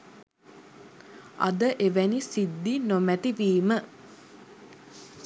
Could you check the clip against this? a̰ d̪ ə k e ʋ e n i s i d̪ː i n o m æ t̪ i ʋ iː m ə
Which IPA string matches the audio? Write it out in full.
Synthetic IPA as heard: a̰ d̪ ə ʔ e ʋ æ n i s i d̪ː i n o m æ t̪ i ʋ iː m ə